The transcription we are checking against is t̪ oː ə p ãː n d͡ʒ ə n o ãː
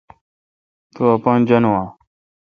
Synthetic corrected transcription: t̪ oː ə p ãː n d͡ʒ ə n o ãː